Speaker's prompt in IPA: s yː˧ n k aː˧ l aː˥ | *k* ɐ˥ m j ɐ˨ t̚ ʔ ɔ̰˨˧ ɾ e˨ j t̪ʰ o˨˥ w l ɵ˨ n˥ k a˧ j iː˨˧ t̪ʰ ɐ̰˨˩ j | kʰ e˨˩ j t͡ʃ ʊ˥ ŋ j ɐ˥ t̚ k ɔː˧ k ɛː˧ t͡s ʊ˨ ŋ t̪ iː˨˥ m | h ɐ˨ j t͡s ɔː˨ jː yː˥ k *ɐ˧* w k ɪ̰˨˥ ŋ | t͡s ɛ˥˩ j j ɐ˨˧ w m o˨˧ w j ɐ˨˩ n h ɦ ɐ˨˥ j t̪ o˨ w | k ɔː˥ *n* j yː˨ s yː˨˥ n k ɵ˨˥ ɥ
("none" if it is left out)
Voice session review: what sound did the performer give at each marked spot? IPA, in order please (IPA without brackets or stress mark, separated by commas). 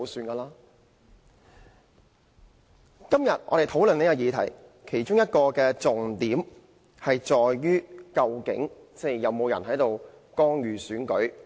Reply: k, ɐ˧, ŋ